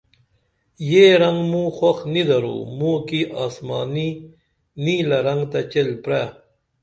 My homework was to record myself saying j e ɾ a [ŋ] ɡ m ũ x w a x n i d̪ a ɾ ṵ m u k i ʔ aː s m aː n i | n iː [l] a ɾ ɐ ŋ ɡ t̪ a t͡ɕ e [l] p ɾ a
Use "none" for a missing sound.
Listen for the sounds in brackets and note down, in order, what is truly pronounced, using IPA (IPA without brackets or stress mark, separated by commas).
ŋ, l, l